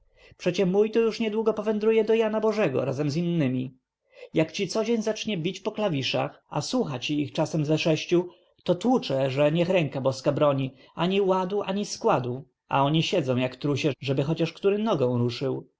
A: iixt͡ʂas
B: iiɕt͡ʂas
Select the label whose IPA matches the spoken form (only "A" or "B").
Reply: A